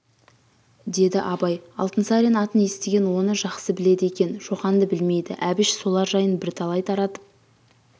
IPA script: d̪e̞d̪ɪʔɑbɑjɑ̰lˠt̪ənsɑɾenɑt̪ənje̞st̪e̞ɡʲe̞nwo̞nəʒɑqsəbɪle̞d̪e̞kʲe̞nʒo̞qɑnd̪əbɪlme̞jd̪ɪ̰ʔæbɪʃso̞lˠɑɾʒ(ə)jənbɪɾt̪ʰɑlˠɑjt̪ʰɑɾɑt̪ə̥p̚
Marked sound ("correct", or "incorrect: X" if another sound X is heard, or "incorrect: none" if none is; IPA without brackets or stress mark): incorrect: ɑ